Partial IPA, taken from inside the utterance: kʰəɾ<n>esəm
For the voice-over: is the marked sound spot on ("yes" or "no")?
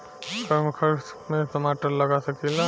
no